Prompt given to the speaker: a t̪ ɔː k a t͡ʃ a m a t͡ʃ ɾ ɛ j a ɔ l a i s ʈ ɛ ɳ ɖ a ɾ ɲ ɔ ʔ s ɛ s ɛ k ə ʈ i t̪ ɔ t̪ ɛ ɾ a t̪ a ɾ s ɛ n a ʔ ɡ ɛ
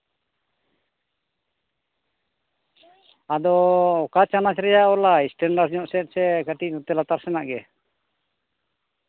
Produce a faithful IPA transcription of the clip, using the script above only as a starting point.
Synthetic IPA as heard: a d̪ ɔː k a t͡ʃ a n a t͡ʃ ɾ ɛ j a ɔ l a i s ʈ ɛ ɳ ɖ a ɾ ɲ ɔ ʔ s ɛ s ɛ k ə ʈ i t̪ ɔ t̪ ɛ l a t̪ a ɾ s ɛ n a ʔ ɡ ɛ